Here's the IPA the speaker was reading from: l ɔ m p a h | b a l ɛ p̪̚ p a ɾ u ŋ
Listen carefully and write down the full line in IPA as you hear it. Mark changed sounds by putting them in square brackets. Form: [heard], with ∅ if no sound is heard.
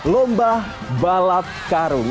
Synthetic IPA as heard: l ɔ m [b] a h | b a l [a] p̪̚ [k] a ɾ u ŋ